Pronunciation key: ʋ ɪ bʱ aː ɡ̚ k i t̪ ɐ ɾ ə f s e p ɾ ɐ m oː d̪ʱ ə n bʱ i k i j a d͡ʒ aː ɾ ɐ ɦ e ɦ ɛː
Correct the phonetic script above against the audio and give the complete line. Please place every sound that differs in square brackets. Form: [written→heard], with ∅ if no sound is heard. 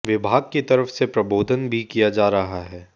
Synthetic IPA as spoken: ʋ ɪ bʱ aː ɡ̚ k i t̪ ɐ ɾ ə f s e p ɾ ɐ [m→b] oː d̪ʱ ə n bʱ i k i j a d͡ʒ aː ɾ ɐ ɦ [e→a] ɦ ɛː